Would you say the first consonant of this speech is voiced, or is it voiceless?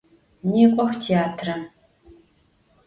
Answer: voiced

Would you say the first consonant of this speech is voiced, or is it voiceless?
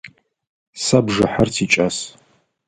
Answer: voiceless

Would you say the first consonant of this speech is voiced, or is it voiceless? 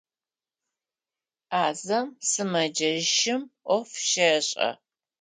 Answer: voiced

